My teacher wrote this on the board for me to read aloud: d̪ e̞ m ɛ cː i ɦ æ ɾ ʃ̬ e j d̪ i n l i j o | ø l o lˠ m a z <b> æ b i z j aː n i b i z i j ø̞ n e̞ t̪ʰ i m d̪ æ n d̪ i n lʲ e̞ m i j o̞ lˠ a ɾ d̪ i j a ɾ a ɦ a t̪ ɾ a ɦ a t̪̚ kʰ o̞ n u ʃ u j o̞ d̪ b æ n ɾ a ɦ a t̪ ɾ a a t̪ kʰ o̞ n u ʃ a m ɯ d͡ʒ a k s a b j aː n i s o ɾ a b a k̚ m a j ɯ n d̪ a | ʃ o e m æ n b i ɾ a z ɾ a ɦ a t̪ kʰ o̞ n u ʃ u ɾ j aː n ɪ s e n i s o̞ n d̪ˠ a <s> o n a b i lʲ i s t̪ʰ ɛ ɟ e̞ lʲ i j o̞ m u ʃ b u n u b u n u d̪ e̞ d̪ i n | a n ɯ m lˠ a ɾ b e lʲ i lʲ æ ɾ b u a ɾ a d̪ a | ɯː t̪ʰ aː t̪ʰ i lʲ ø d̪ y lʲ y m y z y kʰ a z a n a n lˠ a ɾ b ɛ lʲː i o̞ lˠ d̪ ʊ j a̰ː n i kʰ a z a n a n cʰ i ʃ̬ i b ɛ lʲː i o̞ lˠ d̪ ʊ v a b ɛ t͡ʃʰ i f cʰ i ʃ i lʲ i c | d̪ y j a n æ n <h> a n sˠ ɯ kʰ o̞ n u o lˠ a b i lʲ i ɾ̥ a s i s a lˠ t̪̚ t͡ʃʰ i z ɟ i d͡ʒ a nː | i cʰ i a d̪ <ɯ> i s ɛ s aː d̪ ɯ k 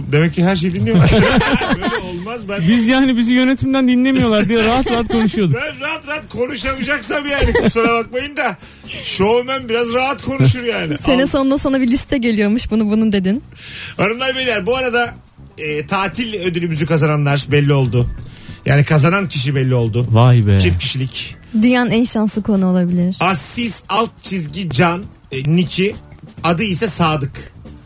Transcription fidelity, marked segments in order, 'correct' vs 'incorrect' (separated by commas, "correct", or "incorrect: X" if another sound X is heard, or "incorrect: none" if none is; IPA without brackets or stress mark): correct, correct, incorrect: ʃ, correct